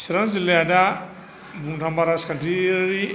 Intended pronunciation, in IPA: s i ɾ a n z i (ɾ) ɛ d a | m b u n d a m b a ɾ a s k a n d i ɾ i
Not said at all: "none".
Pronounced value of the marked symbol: l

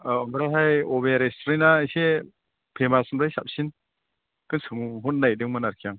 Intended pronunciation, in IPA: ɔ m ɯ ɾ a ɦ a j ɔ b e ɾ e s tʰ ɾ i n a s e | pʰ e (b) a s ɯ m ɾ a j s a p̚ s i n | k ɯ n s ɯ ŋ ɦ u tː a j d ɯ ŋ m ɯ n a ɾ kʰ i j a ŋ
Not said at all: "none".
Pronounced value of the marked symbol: m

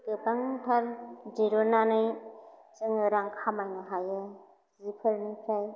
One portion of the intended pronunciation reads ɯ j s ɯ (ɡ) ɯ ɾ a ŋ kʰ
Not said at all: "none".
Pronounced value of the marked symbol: ŋ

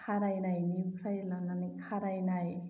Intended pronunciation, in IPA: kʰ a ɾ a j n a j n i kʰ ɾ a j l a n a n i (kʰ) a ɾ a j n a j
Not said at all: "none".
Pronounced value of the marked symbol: kʰ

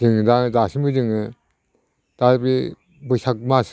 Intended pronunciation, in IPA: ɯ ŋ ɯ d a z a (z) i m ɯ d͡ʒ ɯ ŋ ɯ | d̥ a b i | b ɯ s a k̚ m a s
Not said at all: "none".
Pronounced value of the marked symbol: s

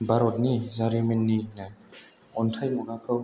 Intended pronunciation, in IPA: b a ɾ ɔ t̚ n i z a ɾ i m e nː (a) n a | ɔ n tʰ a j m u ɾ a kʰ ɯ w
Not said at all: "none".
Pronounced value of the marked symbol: i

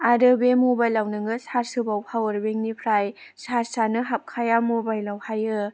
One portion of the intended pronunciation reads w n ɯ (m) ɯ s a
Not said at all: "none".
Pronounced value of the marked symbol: ŋ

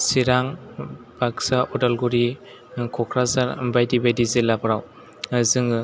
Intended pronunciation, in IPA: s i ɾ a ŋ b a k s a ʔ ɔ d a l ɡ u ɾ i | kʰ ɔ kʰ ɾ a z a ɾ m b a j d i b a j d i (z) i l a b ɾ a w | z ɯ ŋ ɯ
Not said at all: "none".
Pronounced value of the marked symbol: z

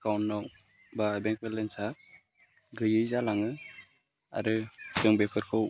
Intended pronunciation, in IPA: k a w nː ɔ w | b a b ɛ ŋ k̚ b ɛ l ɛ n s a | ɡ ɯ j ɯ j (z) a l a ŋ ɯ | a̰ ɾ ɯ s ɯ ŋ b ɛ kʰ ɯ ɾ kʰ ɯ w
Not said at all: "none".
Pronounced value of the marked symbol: z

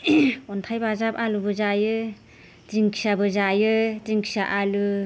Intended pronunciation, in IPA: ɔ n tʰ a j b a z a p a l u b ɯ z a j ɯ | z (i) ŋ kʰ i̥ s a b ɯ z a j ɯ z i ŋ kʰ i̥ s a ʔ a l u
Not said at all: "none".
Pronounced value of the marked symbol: i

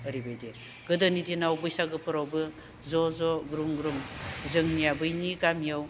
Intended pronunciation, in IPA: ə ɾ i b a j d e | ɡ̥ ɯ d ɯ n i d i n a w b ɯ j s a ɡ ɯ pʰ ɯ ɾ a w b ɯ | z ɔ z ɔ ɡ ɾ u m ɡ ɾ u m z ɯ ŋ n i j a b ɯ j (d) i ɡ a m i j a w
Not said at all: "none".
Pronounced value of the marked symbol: n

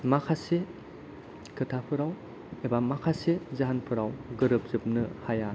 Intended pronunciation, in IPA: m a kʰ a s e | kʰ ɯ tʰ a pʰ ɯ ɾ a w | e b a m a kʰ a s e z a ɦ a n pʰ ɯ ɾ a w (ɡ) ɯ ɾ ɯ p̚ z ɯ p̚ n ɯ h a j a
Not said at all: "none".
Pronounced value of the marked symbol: ɡ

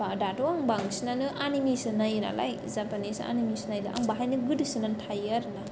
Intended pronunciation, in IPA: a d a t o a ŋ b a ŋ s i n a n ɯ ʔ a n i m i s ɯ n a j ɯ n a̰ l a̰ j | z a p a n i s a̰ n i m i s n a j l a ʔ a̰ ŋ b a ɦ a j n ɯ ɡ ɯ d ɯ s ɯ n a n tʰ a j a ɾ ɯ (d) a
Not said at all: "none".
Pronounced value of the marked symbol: n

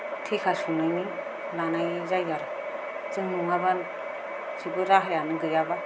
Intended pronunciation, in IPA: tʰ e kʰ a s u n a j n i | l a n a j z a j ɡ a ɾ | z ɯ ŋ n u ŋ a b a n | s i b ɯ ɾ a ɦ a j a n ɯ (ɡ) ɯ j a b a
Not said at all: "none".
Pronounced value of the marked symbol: ɡ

